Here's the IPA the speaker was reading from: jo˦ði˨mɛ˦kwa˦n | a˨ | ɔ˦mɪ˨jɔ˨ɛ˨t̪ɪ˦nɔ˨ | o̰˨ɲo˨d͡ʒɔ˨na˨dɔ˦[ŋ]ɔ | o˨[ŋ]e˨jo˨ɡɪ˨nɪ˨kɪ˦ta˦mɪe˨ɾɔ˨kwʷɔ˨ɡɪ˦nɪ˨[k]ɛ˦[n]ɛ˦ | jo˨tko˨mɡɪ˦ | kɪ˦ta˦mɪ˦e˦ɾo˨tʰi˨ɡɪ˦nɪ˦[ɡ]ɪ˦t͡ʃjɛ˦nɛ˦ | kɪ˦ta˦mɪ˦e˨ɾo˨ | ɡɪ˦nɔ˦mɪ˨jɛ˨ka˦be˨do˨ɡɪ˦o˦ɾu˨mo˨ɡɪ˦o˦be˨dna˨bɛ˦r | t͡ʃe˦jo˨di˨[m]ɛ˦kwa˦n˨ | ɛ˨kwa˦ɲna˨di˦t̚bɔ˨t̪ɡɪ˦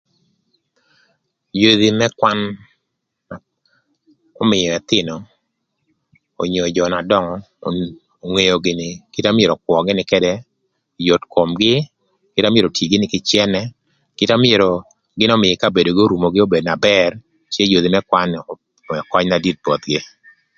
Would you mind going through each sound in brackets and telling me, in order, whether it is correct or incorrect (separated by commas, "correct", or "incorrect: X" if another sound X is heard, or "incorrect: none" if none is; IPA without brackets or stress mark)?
correct, correct, correct, incorrect: d, incorrect: k, correct